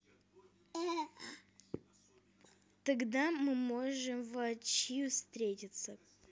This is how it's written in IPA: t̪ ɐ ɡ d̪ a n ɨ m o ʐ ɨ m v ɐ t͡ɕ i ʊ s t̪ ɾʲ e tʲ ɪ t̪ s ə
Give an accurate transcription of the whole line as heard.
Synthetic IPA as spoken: t̪ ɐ ɡ d̪ a m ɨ m o ʐ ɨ m v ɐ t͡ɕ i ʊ s t̪ ɾʲ e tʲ ɪ t̪ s ə